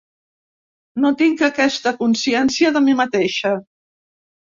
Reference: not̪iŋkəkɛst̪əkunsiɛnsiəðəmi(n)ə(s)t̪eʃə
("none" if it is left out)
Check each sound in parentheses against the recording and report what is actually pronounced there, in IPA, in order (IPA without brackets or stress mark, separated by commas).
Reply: m, none